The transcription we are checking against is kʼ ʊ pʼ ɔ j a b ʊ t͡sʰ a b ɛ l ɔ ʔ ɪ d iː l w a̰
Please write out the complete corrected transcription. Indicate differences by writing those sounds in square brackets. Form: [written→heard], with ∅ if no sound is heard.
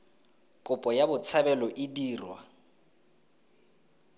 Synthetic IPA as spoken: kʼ ʊ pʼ ɔ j a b ʊ t͡sʰ a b ɛ l ɔ ʔ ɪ d iː [l→r] w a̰